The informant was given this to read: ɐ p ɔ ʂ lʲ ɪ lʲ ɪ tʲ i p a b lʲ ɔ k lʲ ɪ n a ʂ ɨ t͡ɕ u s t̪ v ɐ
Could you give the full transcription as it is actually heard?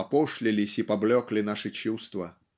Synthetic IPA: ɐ p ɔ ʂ lʲ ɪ lʲ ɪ sʲ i p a b lʲ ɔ k lʲ ɪ n a ʂ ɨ t͡ɕ u s t̪ v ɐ